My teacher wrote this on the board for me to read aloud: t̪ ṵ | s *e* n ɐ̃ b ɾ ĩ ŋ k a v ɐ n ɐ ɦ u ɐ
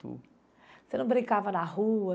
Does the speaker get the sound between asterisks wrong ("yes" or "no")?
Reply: no